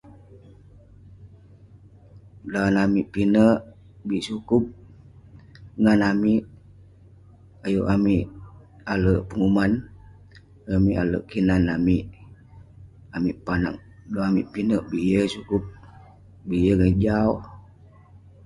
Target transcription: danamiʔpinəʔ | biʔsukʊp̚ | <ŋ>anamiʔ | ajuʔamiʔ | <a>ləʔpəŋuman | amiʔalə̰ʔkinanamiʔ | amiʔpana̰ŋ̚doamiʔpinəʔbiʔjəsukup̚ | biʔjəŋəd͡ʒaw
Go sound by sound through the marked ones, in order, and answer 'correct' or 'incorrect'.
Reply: correct, correct

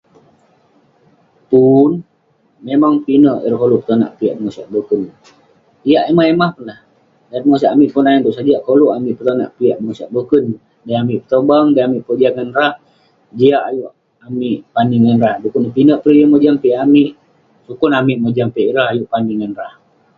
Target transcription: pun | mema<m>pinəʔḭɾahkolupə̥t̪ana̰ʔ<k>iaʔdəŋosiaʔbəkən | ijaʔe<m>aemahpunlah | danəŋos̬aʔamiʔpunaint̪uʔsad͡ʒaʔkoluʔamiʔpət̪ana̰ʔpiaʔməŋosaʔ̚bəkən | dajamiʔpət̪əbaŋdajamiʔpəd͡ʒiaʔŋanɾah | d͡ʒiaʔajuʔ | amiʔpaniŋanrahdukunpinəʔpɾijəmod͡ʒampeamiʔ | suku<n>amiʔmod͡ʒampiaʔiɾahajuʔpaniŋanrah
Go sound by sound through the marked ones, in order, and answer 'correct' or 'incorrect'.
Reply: incorrect: ŋ, incorrect: p, correct, correct

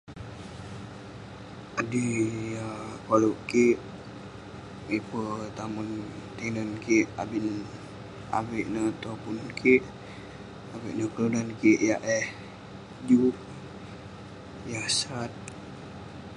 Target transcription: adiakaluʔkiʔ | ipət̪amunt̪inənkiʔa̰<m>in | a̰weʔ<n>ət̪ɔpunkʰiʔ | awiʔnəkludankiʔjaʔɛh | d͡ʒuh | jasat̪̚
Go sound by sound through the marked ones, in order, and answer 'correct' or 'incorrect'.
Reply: incorrect: b, correct

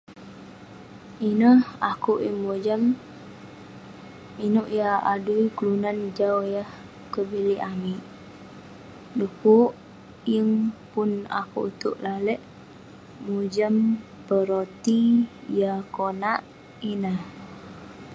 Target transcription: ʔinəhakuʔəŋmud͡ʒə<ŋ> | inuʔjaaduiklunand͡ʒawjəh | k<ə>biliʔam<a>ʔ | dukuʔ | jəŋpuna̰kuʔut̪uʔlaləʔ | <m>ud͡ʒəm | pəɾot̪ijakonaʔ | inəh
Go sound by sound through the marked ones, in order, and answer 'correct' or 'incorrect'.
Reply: incorrect: m, correct, incorrect: i, correct

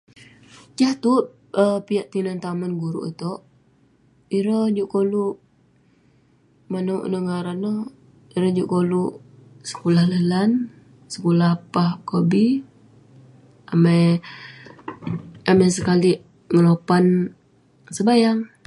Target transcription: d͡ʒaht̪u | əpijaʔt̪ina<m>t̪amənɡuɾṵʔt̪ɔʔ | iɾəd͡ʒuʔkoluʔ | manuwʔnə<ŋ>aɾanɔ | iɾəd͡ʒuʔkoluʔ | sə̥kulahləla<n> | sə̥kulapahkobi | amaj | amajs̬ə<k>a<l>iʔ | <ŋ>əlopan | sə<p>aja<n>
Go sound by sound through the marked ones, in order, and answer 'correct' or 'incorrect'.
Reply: incorrect: n, correct, correct, correct, correct, correct, incorrect: b, incorrect: ŋ

